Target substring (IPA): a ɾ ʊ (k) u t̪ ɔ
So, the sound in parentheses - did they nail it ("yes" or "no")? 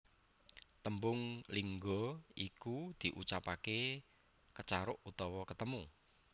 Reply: no